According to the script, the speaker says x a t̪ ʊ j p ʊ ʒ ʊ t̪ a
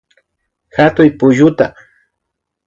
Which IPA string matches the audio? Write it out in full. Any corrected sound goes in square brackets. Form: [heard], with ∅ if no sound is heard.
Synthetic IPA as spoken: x a t̪ ʊ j p ʊ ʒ ʊ t̪ a